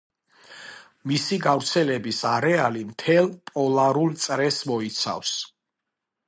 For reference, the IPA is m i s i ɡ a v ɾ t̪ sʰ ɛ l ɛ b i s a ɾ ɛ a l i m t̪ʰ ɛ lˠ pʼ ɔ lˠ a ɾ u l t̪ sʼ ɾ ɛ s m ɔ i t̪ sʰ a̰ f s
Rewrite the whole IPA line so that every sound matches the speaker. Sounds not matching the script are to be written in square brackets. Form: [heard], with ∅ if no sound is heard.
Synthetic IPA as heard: m i s i ɡ a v ɾ t̪ sʰ ɛ l ɛ b i s a ɾ ɛ a l i m t̪ʰ ɛ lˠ pʼ ɔ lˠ a ɾ u l t̪ sʼ ɾ ɛ s m ɔ i t̪ sʰ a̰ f s